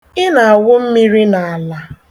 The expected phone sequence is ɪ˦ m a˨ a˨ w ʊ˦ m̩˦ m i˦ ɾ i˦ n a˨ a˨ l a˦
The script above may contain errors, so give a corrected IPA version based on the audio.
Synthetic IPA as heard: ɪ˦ n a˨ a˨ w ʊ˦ m̩˦ m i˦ ɾ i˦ n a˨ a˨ l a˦